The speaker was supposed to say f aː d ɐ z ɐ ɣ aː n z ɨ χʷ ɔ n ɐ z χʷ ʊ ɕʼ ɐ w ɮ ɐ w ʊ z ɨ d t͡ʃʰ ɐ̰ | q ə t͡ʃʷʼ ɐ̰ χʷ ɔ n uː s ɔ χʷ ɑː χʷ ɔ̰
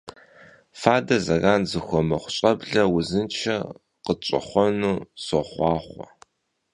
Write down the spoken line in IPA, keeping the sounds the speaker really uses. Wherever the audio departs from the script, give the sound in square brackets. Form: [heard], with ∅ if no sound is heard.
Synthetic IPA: f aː d ɐ z ɐ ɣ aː n z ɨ [xʷ] ɔ [m] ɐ [∅] χʷ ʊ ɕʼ ɐ [b] ɮ ɐ w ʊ z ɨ [n] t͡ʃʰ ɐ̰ | q ə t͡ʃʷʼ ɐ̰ χʷ ɔ n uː s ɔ χʷ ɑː χʷ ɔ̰